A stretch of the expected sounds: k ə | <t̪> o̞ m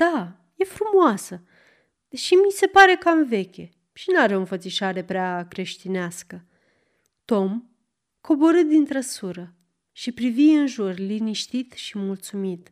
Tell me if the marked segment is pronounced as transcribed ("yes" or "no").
yes